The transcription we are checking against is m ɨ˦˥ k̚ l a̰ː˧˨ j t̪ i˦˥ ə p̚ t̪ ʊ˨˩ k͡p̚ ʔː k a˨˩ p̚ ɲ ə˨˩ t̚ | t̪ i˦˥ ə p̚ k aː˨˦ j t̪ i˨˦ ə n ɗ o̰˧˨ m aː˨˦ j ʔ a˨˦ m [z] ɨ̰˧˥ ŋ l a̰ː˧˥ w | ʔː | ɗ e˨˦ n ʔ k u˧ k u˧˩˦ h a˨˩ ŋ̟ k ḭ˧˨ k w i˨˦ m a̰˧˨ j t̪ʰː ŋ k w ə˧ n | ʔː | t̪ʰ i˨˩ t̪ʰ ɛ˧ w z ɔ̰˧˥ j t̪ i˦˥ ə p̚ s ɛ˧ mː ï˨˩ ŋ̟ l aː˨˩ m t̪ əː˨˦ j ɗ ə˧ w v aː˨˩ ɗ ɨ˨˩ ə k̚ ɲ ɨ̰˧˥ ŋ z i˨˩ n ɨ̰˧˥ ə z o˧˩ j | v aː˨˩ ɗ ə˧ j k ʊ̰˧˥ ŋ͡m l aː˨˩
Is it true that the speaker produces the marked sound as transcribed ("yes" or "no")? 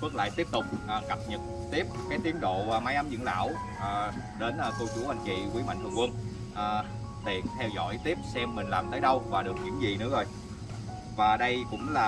yes